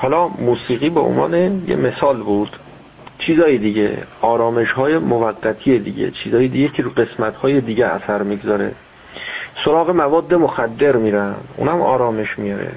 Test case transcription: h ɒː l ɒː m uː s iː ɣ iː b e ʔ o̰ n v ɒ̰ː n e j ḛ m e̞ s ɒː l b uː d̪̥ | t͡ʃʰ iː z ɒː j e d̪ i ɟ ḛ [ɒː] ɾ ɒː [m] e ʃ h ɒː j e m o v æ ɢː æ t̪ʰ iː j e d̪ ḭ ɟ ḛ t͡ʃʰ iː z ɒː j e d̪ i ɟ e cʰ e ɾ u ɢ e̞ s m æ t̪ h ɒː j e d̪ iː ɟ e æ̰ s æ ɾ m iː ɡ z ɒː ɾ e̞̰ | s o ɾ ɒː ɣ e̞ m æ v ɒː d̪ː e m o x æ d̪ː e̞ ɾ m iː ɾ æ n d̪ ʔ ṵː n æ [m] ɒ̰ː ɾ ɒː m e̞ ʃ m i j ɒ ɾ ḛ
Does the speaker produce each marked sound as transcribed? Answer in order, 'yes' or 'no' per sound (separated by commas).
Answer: yes, yes, yes